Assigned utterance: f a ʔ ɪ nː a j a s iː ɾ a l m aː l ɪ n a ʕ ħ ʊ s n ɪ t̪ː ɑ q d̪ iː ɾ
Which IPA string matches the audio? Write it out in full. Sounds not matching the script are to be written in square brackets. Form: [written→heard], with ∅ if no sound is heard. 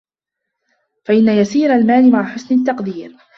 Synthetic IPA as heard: f a ʔ ɪ nː a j a s iː ɾ a l m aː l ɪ [n→m] a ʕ ħ ʊ s n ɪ t̪ː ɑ q d̪ iː ɾ